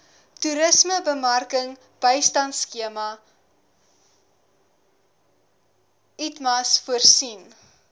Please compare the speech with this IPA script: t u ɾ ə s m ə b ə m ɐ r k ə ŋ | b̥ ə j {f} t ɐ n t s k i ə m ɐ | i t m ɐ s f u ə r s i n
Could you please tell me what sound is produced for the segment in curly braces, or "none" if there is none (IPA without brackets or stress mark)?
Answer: s